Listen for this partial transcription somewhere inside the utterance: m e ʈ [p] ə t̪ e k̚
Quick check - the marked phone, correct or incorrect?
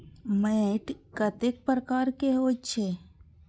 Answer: incorrect